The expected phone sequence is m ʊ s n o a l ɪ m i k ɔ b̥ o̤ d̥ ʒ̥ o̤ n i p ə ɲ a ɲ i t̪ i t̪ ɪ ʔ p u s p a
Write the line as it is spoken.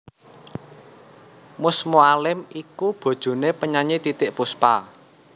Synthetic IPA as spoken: m ʊ s m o a l ɪ m i k u b̥ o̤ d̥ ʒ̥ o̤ n e p ə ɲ a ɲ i t̪ i t̪ ɪ ʔ p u s p a